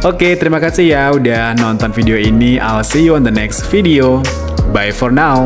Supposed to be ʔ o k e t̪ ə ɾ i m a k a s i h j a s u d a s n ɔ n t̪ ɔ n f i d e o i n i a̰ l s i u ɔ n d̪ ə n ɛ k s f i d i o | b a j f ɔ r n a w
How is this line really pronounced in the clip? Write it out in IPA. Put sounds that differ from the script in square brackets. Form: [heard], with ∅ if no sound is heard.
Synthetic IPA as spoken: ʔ o k e t̪ ə ɾ i m a k a s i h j a [∅] u d a [h] n ɔ n t̪ ɔ n f i d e o i n i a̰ l s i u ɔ n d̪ ə n ɛ k s f i d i o | b a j f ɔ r n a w